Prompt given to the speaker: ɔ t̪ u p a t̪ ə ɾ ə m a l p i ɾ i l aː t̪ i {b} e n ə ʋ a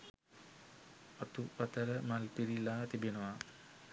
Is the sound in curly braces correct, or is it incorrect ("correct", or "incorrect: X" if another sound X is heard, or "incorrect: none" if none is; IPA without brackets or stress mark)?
correct